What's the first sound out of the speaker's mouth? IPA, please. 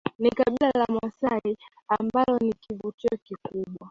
n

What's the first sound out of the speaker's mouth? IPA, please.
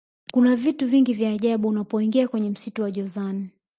k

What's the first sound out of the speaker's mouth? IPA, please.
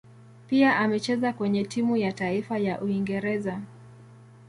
p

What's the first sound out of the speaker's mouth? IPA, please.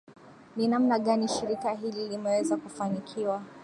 n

